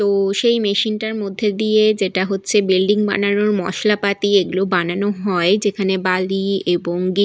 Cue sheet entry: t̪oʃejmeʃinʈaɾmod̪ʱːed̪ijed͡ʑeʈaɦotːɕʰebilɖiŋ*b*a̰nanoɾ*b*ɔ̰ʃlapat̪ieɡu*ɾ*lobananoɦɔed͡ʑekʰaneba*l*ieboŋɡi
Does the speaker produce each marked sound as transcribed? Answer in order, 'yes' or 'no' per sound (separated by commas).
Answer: yes, no, no, yes